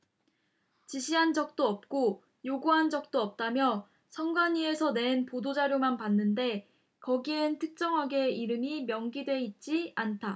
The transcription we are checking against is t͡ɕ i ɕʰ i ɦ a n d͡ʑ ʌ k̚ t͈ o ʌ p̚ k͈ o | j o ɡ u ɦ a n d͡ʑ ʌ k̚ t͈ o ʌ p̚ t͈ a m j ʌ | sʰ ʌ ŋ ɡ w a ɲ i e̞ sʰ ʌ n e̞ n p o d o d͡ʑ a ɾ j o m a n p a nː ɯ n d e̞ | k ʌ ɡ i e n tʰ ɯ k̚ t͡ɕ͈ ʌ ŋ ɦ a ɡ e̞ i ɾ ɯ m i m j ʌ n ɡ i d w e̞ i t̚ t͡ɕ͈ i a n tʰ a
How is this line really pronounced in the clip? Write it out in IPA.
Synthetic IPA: t͡ɕ i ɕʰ i ɦ a n d͡ʑ ʌ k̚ t͈ o ʌ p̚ k͈ o | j o ɡ u ɦ a n d͡ʑ ʌ k̚ t͈ o ʌ p̚ t͈ a m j ʌ | sʰ ʌ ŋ ɡ w a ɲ i e̞ sʰ ʌ n e̞ n p o d o d͡ʑ a ɾ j o m a n p a nː ɯ n d e̞ | k ʌ ɡ i e n tʰ ɯ k̚ t͡ɕ͈ ʌ ŋ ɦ a ɡ e̞ i ɾ ɯ m i m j ʌ ŋ ɡ i d w e̞ i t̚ t͡ɕ͈ i a n tʰ a

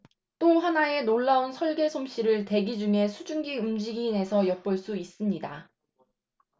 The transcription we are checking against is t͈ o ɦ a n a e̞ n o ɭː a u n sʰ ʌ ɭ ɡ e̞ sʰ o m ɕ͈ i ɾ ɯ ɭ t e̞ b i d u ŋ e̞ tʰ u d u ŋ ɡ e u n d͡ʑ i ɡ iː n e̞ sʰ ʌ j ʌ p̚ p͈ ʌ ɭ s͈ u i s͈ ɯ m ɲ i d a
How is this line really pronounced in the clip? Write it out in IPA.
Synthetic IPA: t͈ o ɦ a n a e̞ n o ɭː a u n sʰ ʌ ɭ ɡ e̞ sʰ o m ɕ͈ i ɾ ɯ ɭ t e̞ ɡ i d͡ʑ u ŋ e̞ sʰ u d͡ʑ u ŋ ɡ i u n d͡ʑ i ɡ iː n e̞ sʰ ʌ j ʌ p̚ p͈ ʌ ɭ s͈ u i s͈ ɯ m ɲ i d a

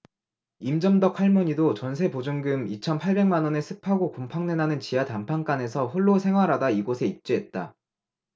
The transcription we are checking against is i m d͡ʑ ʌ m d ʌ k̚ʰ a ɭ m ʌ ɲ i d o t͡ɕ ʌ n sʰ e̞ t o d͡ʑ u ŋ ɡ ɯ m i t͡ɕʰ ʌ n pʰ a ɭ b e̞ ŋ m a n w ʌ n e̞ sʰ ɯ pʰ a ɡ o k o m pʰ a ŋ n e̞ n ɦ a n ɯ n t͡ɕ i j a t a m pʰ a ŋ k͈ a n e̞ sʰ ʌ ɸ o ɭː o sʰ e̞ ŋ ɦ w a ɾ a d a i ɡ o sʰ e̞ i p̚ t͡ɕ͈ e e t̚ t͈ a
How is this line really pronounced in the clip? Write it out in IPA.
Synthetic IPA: i m d͡ʑ ʌ m d ʌ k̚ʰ a ɭ m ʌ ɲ i d o t͡ɕ ʌ n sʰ e̞ p o d͡ʑ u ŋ ɡ ɯ m i t͡ɕʰ ʌ n pʰ a ɭ b e̞ ŋ m a n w ʌ n e̞ sʰ ɯ pʰ a ɡ o k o m pʰ a ŋ n e̞ n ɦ a n ɯ n t͡ɕ i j a t a m pʰ a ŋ k͈ a n e̞ sʰ ʌ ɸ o ɭː o sʰ e̞ ŋ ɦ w a ɾ a d a i ɡ o sʰ e̞ i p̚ t͡ɕ͈ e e t̚ t͈ a

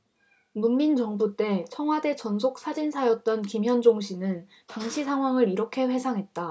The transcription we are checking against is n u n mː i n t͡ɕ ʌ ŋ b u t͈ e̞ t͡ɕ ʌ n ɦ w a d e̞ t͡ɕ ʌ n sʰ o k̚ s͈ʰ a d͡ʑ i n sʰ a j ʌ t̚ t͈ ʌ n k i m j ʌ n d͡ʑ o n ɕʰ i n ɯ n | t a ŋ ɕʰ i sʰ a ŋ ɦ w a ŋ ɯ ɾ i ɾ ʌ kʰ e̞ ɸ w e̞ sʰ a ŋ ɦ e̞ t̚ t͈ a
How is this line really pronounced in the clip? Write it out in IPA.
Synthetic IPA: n u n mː i n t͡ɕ ʌ ŋ b u t͈ e̞ t͡ɕʰ ʌ ŋ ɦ w a d e̞ t͡ɕ ʌ n sʰ o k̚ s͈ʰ a d͡ʑ i n sʰ a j ʌ t̚ t͈ ʌ n k i m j ʌ n d͡ʑ o ŋ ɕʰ i n ɯ n | t a ŋ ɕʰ i sʰ a ŋ ɦ w a ŋ ɯ ɾ i ɾ ʌ kʰ e̞ ɸ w e̞ sʰ a ŋ ɦ e̞ t̚ t͈ a

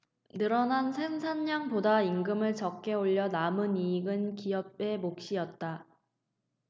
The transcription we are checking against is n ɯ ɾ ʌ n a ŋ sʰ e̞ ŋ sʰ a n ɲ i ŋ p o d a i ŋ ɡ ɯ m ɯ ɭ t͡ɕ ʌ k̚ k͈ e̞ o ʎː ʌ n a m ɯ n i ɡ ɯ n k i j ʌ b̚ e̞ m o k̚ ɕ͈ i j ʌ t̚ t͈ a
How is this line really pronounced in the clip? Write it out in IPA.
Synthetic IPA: n ɯ ɾ ʌ n a n sʰ e̞ ŋ sʰ a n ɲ a ŋ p o d a i ŋ ɡ ɯ m ɯ ɭ t͡ɕ ʌ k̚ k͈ e̞ o ʎː ʌ n a m ɯ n i ɡ ɯ n k i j ʌ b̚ e̞ m o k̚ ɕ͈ i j ʌ t̚ t͈ a

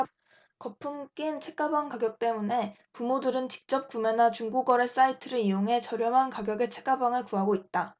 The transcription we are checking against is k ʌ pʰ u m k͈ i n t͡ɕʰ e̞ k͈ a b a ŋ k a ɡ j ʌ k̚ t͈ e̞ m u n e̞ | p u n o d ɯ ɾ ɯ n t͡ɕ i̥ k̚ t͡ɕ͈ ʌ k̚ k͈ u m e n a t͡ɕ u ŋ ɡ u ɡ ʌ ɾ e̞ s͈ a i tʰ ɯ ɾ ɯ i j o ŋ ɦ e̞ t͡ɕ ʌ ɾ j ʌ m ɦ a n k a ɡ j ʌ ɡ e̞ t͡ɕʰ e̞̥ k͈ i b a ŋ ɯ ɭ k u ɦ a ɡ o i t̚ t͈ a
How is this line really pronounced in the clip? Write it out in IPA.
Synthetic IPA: k ʌ pʰ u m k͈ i n t͡ɕʰ e̞ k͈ a b a ŋ k a ɡ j ʌ k̚ t͈ e̞ m u n e̞ | p u m o d ɯ ɾ ɯ n t͡ɕ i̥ k̚ t͡ɕ͈ ʌ p̚ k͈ u m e n a t͡ɕ u ŋ ɡ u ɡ ʌ ɾ e̞ s͈ a i tʰ ɯ ɾ ɯ i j o ŋ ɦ e̞ t͡ɕ ʌ ɾ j ʌ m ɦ a n k a ɡ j ʌ ɡ e̞ t͡ɕʰ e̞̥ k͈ a b a ŋ ɯ ɭ k u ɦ a ɡ o i t̚ t͈ a

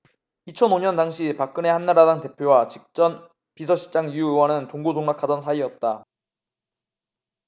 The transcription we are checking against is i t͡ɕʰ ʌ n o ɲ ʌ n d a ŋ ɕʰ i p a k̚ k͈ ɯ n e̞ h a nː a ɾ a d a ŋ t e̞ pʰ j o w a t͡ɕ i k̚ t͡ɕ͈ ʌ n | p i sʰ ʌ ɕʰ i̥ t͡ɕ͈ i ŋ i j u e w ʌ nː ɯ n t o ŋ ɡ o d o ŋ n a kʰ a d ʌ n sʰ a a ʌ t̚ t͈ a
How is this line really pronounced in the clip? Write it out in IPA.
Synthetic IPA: i t͡ɕʰ ʌ n o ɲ ʌ n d a ŋ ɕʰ i p a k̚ k͈ ɯ n e̞ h a nː a ɾ a d a ŋ t e̞ pʰ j o w a t͡ɕ i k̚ t͡ɕ͈ ʌ n | p i sʰ ʌ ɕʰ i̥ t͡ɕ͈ a ŋ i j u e w ʌ n ɯ n t o ŋ ɡ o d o ŋ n a kʰ a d ʌ n sʰ a i ʌ t̚ t͈ a

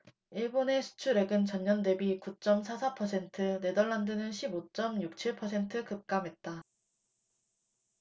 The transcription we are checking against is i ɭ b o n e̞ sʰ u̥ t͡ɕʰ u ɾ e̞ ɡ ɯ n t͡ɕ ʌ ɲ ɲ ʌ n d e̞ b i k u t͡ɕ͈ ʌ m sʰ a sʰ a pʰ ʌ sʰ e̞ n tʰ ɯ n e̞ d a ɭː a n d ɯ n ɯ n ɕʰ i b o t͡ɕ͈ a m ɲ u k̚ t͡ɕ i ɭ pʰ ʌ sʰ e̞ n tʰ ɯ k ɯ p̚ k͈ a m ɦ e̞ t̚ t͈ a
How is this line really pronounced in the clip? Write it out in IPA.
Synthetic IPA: i ɭ b o n e̞ sʰ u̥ t͡ɕʰ u ɾ e̞ ɡ ɯ n t͡ɕ ʌ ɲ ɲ ʌ n d e̞ b i k u t͡ɕ͈ ʌ m sʰ a sʰ a pʰ ʌ sʰ e̞ n tʰ ɯ n e̞ d ʌ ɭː a n d ɯ n ɯ n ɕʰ i b o t͡ɕ͈ ʌ m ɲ u k̚ t͡ɕʰ i ɭ pʰ ʌ sʰ e̞ n tʰ ɯ k ɯ p̚ k͈ a m ɦ e̞ t̚ t͈ a

